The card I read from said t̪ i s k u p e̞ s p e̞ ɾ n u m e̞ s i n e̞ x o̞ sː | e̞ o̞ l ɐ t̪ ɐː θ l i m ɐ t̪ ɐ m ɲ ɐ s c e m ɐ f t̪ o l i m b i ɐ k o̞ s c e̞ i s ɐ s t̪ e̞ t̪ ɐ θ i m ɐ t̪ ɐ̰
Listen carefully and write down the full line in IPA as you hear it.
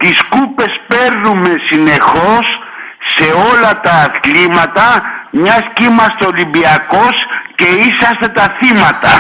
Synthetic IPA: t̪ i s k u p e̞ s p e̞ ɾ n u m e̞ s i n e̞ x o̞ sː | e̞ o̞ l ɐ t̪ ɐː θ l i m ɐ t̪ ɐ m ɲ ɐ s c i m ɐ s t̪ o l i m b i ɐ k o̞ s c e̞ i s ɐ s t̪ e̞ t̪ ɐ θ i m ɐ t̪ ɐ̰